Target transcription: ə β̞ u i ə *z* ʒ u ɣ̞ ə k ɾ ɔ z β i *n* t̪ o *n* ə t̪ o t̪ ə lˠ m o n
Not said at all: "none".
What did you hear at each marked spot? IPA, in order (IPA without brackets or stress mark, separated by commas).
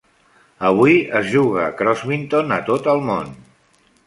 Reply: z, n, n